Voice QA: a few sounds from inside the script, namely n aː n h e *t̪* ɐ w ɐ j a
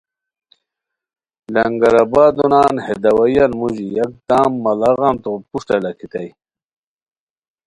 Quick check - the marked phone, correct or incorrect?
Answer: incorrect: d̪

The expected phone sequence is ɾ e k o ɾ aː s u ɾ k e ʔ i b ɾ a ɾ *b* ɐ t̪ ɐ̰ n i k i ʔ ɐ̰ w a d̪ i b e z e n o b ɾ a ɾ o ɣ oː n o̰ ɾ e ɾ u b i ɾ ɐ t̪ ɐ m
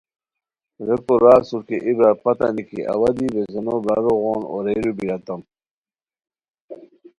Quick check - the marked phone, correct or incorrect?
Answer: incorrect: p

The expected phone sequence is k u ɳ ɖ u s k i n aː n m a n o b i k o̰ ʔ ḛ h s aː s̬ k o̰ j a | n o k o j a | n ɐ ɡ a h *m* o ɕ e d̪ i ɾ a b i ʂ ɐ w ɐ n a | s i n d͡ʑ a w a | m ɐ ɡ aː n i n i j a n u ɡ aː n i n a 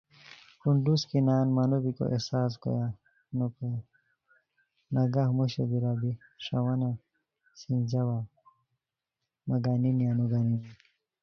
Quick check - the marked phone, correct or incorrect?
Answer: correct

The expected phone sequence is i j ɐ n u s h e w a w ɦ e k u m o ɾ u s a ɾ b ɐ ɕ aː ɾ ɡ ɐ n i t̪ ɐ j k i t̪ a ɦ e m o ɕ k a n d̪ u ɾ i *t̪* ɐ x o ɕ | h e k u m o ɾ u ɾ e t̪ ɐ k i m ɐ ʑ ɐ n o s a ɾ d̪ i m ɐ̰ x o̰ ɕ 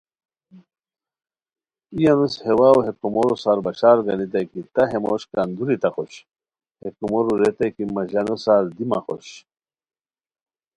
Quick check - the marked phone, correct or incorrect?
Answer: correct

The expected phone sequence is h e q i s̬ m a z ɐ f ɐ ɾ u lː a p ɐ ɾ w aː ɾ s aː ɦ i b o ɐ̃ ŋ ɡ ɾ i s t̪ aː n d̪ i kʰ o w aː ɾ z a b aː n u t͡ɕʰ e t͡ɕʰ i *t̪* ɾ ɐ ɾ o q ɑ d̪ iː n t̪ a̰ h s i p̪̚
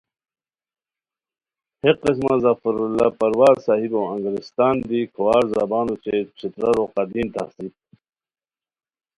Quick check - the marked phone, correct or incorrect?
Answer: correct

